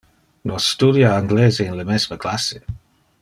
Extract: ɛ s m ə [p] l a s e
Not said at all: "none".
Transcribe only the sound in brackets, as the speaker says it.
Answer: k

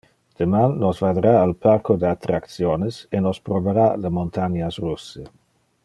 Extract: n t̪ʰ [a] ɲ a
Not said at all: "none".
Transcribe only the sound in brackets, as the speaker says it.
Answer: a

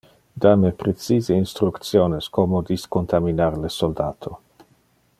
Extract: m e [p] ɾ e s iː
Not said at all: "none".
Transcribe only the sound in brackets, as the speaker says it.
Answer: p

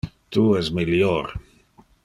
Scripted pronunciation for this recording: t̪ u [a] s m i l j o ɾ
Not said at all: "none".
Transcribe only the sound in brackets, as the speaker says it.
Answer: ɛ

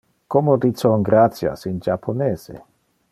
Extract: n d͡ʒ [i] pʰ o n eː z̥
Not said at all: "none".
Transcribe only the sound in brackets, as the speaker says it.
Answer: a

